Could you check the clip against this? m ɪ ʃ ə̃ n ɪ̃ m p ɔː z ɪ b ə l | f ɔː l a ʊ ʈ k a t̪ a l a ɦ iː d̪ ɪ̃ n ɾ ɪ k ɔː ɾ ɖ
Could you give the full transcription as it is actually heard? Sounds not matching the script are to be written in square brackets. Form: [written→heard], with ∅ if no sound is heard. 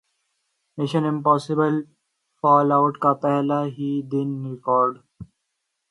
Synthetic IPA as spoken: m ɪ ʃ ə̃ n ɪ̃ m p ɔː [z→s] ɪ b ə l | f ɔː l a ʊ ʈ k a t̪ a l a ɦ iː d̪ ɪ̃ n ɾ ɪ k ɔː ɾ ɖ